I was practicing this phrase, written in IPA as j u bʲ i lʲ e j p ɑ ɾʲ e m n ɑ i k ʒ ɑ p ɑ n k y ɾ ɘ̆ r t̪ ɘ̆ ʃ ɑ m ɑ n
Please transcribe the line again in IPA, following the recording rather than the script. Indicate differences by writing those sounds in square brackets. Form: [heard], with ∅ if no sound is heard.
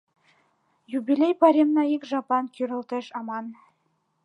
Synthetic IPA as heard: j u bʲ i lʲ e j p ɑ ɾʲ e m n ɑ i k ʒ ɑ p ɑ n k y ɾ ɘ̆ [l] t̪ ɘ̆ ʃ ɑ m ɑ n